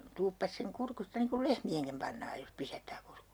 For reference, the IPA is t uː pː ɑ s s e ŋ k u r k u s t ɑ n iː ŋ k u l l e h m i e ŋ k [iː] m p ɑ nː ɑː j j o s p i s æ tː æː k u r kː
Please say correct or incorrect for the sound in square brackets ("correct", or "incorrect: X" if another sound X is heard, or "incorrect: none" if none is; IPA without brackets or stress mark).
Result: incorrect: i